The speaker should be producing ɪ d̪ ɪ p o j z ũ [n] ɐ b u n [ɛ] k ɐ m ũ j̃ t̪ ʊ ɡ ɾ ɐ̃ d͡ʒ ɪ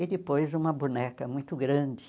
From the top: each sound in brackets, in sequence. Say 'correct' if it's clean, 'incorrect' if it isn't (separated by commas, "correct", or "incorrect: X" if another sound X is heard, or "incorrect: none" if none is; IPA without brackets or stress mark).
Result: incorrect: m, correct